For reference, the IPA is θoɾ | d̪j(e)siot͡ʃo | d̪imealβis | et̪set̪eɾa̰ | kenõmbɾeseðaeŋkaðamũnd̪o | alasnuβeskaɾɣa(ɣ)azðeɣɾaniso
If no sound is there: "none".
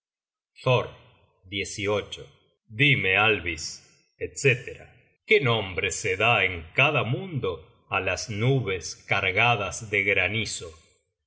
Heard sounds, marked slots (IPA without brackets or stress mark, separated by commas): e, ð